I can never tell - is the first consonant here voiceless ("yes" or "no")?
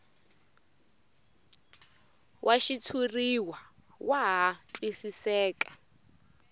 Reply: no